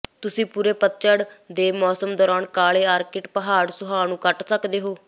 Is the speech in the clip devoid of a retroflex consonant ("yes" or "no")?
no